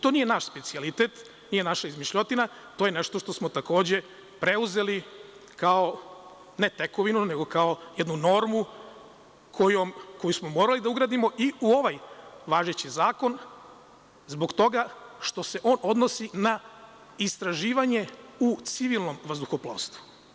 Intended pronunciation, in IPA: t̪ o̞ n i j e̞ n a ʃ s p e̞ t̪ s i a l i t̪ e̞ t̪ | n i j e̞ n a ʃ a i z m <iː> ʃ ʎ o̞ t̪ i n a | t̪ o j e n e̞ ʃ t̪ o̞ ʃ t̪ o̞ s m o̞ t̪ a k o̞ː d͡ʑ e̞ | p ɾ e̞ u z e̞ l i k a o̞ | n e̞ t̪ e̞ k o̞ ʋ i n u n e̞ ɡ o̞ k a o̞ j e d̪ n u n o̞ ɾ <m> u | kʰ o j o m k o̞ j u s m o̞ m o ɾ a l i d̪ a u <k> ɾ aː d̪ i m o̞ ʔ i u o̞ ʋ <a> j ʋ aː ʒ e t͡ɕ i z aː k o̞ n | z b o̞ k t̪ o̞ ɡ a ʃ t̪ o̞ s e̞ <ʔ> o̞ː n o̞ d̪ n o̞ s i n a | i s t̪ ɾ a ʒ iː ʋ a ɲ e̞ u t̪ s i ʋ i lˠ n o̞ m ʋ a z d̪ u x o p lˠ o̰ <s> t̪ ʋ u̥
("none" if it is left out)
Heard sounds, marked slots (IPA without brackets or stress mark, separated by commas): i, m, ɡ, a, ʔ, s